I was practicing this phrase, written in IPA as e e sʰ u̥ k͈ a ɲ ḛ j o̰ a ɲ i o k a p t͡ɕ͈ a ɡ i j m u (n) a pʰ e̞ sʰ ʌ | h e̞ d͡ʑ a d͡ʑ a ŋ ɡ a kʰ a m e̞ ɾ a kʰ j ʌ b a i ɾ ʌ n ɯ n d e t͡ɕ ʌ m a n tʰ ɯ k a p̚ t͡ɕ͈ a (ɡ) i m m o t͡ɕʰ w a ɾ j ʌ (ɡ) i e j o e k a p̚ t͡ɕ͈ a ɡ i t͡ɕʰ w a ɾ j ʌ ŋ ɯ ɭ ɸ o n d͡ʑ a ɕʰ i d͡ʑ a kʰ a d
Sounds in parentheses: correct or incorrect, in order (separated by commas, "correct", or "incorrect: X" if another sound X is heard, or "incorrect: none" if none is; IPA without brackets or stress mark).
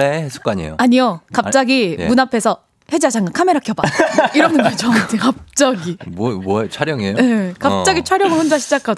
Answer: correct, correct, incorrect: ŋ